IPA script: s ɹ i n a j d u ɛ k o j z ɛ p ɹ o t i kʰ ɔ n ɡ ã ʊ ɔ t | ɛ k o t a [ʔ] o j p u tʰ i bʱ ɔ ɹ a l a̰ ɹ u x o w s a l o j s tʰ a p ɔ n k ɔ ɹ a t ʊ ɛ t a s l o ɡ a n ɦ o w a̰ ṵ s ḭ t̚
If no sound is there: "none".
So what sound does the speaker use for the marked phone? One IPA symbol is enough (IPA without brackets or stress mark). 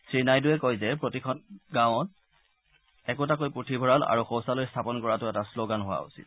k